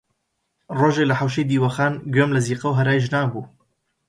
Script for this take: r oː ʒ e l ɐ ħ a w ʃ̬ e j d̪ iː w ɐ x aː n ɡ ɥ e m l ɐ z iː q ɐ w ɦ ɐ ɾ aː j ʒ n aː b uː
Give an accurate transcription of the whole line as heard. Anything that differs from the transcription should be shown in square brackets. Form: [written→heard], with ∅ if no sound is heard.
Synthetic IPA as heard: r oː ʒ e l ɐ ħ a w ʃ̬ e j d̪ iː w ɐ x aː n ɡ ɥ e m l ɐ z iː q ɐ w ɦ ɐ ɾ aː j ʒ n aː b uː